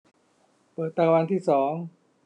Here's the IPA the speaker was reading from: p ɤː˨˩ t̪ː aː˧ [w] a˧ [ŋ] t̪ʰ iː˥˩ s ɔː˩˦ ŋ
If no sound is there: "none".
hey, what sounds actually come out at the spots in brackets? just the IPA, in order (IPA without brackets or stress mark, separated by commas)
w, n